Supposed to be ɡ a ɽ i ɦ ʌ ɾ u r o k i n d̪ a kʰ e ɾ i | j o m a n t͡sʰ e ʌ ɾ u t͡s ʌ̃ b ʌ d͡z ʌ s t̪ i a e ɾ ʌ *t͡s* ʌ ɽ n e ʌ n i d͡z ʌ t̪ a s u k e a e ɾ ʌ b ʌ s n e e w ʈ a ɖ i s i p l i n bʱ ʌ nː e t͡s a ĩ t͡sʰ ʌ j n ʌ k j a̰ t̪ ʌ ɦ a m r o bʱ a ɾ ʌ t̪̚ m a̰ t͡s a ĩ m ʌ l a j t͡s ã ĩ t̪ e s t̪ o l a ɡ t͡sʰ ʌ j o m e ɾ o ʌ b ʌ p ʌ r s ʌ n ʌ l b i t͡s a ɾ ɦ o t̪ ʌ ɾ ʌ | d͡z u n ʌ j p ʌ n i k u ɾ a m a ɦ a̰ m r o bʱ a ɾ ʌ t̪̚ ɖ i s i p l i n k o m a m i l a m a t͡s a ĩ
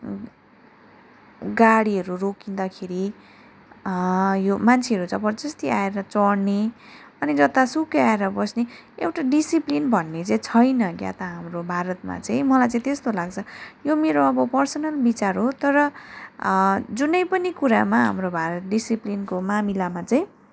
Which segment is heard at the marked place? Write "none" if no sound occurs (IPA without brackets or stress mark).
t͡s